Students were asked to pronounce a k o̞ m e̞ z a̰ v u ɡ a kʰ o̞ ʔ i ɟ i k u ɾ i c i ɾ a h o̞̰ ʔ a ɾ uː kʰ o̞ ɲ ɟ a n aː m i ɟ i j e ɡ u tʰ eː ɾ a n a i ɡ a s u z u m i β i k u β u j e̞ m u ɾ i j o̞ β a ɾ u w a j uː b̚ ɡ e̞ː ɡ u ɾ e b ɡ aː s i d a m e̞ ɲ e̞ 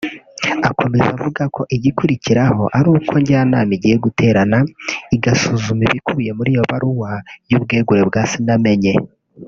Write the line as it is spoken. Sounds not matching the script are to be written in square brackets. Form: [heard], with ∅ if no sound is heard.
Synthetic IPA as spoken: a k o̞ m e̞ z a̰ v u ɡ a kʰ o̞ ʔ i ɟ i k u ɾ i c i ɾ a h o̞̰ ʔ a ɾ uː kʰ o̞ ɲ ɟ a n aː m i ɟ i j e ɡ u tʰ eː ɾ a n a i ɡ a s u z u m i β i k u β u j e̞ m u ɾ i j o̞ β a ɾ u w a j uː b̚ ɡ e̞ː ɡ u ɾ e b ɡ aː s i [n] a m e̞ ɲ e̞